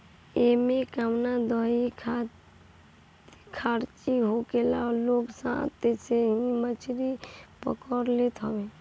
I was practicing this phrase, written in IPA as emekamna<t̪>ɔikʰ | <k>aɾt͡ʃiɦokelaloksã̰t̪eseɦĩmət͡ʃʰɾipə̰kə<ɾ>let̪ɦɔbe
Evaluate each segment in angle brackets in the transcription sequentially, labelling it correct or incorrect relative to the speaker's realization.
incorrect, incorrect, correct

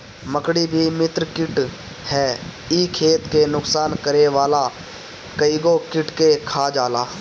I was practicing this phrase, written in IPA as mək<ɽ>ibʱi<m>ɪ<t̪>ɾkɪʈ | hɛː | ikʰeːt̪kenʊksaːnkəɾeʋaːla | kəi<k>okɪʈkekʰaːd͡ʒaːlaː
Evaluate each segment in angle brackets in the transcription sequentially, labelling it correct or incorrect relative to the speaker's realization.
correct, correct, correct, incorrect

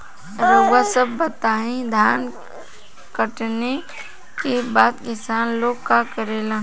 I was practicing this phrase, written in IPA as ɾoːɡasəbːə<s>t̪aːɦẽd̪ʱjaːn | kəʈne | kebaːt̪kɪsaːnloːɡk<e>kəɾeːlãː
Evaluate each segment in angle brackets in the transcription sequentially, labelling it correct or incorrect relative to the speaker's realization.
incorrect, incorrect

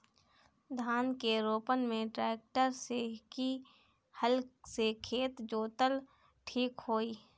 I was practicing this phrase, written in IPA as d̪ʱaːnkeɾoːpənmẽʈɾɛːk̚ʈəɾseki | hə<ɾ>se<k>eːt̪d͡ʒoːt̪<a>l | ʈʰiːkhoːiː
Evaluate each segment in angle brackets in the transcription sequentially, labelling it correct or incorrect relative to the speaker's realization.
incorrect, incorrect, incorrect

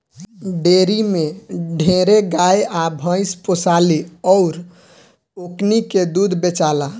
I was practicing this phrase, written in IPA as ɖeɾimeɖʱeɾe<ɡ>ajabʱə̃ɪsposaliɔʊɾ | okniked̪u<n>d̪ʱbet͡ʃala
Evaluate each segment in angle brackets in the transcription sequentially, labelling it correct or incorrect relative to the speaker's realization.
correct, incorrect

